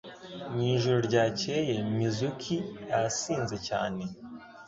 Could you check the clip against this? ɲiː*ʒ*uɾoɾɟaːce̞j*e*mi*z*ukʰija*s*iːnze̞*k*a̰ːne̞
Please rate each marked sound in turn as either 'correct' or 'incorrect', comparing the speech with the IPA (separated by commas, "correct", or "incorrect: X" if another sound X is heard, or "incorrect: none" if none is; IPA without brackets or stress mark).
correct, correct, correct, correct, incorrect: c